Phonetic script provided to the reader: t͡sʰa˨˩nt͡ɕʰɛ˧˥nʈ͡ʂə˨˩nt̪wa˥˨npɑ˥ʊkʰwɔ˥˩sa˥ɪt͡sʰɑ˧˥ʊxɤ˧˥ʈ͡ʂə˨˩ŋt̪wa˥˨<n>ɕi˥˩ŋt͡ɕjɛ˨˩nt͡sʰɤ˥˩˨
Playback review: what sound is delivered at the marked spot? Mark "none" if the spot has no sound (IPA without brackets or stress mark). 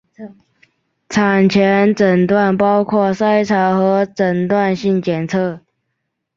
n